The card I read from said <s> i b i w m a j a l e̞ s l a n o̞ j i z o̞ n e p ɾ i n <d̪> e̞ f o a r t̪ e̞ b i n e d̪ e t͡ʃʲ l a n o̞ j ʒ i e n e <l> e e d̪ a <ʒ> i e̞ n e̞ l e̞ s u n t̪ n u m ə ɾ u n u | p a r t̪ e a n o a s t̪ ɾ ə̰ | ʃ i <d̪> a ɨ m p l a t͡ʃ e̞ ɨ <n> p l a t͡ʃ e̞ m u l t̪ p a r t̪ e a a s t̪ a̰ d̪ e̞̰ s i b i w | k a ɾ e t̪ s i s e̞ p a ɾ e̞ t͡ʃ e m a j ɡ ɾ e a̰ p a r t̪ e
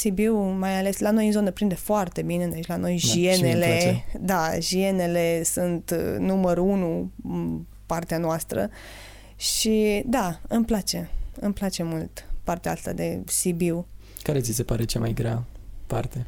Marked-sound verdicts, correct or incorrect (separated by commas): correct, correct, correct, correct, correct, incorrect